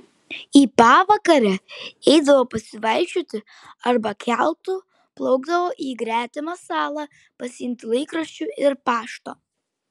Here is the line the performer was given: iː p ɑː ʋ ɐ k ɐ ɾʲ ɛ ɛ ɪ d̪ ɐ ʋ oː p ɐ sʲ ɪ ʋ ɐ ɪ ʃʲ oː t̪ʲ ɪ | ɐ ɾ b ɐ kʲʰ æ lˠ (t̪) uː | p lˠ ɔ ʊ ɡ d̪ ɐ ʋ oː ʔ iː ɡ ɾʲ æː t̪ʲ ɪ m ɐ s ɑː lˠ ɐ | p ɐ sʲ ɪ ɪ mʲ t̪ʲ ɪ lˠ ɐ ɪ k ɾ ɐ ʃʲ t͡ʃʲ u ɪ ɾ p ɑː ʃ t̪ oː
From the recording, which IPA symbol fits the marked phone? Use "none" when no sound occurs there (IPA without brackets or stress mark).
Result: t̪